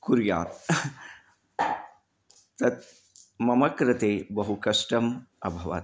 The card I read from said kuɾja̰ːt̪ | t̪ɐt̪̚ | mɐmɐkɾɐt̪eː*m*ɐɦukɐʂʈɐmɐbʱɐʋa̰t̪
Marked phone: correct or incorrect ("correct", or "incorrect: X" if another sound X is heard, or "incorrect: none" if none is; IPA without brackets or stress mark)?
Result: incorrect: b